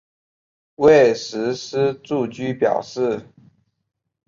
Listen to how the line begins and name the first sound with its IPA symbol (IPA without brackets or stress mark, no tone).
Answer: w